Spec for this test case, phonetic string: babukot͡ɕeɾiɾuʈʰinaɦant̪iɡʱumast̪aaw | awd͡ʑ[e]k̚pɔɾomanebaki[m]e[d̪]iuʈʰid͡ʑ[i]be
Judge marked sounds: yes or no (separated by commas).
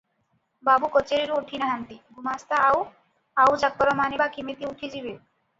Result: no, yes, no, yes